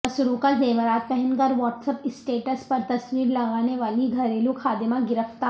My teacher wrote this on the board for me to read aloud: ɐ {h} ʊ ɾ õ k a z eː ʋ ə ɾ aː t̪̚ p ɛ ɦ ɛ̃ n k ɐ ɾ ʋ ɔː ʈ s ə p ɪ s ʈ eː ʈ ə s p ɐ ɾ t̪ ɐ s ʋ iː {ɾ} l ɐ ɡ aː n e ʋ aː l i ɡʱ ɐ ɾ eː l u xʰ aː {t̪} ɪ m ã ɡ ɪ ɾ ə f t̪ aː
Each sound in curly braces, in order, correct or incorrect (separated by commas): incorrect, correct, incorrect